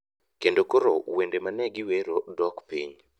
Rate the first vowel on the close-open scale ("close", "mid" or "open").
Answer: mid